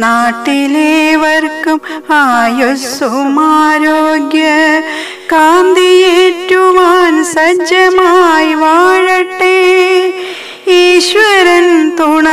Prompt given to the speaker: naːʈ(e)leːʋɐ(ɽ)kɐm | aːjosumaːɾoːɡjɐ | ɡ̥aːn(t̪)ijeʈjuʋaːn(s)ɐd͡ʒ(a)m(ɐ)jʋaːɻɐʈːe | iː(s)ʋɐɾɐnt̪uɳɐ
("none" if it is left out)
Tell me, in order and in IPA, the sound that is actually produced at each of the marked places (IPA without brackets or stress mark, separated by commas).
i, ɾ, d̪, s, ɐ, a, ʃ